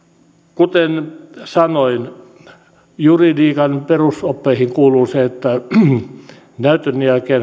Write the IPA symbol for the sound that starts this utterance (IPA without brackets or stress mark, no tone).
k